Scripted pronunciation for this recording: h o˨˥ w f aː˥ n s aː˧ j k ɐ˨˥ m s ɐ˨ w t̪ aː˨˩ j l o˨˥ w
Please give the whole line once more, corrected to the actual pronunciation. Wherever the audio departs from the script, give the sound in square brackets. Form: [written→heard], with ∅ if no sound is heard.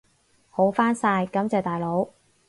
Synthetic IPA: h o˨˥ w f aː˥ n s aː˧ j k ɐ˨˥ m [s→t͡s] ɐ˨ w t̪ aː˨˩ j l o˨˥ w

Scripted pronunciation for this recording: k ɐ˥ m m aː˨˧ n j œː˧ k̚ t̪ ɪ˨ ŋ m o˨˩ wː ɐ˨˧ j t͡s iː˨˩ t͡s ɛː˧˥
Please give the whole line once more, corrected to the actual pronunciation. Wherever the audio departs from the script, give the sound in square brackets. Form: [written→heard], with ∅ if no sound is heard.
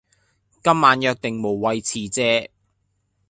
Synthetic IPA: k ɐ˥ m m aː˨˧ n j œː˧ k̚ t̪ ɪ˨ ŋ m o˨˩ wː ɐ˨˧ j [t͡s→t͡sʰ] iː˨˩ t͡s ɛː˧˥

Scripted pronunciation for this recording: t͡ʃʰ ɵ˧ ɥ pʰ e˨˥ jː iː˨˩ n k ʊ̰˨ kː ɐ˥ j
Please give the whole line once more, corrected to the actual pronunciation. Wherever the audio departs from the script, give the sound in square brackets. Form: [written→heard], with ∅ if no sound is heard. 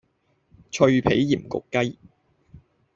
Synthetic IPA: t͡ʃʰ ɵ˧ ɥ pʰ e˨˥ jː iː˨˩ [n→m] k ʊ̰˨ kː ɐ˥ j

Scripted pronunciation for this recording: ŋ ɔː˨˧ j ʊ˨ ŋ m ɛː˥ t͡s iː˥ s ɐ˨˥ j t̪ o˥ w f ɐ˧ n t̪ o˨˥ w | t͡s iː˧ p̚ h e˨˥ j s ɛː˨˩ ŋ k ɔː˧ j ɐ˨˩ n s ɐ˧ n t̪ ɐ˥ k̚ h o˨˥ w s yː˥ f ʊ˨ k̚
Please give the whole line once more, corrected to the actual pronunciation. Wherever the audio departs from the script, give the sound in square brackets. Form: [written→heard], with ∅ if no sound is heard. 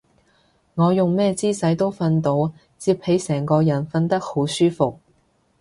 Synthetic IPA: ŋ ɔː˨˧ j ʊ˨ ŋ m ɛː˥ t͡s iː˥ s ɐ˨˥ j t̪ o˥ w f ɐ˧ n t̪ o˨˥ w | t͡s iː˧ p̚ h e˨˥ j s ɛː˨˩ ŋ k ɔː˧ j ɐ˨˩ n [s→f] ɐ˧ n t̪ ɐ˥ k̚ h o˨˥ w s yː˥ f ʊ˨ k̚

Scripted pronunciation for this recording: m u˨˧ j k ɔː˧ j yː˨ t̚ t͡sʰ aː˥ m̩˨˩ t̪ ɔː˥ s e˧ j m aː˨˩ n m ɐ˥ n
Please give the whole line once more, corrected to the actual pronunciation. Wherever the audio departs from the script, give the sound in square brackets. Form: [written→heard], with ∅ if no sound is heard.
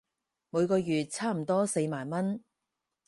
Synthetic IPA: m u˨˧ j k ɔː˧ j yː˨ t̚ t͡sʰ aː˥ m̩˨˩ t̪ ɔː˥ s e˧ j m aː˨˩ n m ɐ˥ n

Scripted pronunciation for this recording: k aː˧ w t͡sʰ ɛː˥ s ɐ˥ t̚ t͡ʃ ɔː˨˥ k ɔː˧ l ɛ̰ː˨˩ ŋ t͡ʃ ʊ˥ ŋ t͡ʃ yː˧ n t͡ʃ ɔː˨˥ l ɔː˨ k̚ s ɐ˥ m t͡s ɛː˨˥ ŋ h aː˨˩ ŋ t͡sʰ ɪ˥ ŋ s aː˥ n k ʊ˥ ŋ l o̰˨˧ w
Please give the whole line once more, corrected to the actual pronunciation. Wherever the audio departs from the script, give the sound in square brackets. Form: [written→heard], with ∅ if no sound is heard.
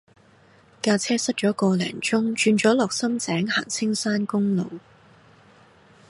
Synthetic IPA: k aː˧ [w→∅] t͡sʰ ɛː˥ s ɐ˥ t̚ t͡ʃ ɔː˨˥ k ɔː˧ l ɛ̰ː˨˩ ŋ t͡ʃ ʊ˥ ŋ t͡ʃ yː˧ n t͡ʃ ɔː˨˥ l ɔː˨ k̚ s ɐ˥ m t͡s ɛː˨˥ ŋ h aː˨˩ ŋ t͡sʰ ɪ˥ ŋ s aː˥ n k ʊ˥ ŋ l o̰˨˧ w

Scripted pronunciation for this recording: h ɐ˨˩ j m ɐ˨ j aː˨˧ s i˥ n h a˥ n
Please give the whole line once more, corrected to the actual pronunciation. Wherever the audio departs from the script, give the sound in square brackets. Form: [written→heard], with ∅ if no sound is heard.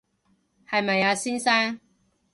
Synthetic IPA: h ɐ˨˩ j m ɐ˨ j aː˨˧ s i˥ n [h→s] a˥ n

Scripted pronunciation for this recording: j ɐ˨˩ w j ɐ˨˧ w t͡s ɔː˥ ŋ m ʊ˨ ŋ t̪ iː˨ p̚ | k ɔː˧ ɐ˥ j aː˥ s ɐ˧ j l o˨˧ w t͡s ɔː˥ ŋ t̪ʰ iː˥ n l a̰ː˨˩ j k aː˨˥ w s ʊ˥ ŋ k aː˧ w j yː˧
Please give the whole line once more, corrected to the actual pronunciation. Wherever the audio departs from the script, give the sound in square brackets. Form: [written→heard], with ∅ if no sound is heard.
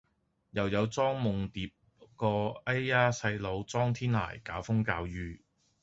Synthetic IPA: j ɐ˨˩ w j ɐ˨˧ w t͡s ɔː˥ ŋ m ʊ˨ ŋ t̪ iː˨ p̚ | k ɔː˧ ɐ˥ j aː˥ s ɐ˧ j l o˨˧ w t͡s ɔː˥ ŋ t̪ʰ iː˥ n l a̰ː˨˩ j k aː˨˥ w [s→f] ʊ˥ ŋ k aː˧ w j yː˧

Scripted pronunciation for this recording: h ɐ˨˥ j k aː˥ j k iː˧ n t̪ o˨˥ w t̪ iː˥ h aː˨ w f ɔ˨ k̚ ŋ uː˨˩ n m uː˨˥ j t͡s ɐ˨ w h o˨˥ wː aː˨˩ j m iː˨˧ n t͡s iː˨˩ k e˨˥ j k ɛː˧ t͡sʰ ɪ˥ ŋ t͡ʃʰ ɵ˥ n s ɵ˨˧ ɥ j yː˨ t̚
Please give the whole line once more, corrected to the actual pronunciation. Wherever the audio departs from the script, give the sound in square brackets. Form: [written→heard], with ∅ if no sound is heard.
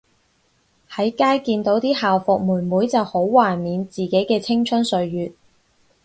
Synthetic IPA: h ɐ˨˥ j k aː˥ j k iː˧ n t̪ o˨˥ w t̪ iː˥ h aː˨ w f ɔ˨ k̚ [ŋ→m] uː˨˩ n m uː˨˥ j t͡s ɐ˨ w h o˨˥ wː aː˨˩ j m iː˨˧ n t͡s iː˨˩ k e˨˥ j k ɛː˧ t͡sʰ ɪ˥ ŋ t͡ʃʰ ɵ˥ n s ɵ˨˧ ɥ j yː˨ t̚

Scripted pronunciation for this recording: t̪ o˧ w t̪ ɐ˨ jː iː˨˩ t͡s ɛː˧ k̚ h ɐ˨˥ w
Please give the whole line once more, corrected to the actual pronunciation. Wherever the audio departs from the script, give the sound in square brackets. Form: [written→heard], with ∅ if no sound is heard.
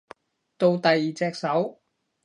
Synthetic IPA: t̪ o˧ w t̪ ɐ˨ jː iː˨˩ t͡s ɛː˧ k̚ [h→s] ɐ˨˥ w

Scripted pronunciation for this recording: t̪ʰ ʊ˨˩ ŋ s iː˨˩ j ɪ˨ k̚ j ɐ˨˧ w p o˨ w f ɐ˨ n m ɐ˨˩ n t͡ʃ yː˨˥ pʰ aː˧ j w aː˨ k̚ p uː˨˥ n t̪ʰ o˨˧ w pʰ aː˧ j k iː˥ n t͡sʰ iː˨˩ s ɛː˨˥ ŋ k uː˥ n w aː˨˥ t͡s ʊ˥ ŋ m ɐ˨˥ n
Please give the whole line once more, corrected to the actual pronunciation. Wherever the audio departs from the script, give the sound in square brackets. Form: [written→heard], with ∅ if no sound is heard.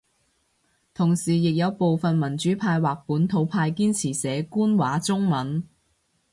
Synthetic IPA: t̪ʰ ʊ˨˩ ŋ s iː˨˩ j ɪ˨ k̚ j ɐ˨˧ w p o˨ w f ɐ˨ n m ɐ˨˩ n t͡ʃ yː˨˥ pʰ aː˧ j w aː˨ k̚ p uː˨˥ n t̪ʰ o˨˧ w pʰ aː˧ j k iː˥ n t͡sʰ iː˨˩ s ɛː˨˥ [ŋ→∅] k uː˥ n w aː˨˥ t͡s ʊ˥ ŋ m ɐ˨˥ n

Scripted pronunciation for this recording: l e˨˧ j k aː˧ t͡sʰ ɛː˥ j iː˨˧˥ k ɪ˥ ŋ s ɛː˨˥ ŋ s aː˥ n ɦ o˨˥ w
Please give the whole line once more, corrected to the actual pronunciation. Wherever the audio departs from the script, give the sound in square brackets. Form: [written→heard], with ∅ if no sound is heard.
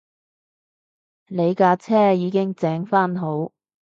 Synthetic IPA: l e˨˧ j k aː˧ t͡sʰ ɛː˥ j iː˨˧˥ k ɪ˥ ŋ [s→t͡s] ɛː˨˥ ŋ [s→f] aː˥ n ɦ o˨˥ w

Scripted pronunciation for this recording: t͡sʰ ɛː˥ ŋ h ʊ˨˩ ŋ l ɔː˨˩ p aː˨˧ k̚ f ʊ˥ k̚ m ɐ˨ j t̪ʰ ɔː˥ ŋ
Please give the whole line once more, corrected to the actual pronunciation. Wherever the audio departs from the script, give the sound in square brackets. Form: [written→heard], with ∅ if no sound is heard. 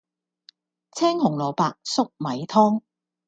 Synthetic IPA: t͡sʰ ɛː˥ ŋ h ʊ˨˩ ŋ l ɔː˨˩ p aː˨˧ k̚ [f→s] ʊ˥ k̚ m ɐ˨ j t̪ʰ ɔː˥ ŋ

